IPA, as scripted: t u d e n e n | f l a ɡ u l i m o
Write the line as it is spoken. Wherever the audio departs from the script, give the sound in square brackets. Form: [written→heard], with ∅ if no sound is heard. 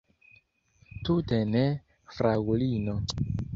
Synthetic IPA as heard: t u [d→t] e n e [n→∅] | f [l→ɾ] a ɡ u l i [m→n] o